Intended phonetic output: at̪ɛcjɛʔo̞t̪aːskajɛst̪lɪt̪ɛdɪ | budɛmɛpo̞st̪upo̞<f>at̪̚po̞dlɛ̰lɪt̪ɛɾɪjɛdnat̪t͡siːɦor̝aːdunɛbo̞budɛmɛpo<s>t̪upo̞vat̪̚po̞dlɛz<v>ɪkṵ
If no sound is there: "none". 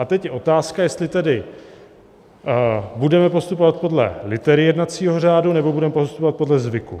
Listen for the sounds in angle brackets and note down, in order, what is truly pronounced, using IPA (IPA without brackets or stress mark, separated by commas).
v, s, v